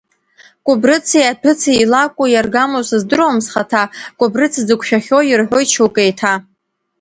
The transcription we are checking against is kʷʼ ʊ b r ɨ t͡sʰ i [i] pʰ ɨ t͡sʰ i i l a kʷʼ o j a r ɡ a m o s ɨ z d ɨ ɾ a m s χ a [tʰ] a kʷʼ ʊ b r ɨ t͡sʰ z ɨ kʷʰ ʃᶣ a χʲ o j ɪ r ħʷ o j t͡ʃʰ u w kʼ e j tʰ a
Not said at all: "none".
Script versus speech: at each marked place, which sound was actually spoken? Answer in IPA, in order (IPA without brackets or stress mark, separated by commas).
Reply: a, tʰ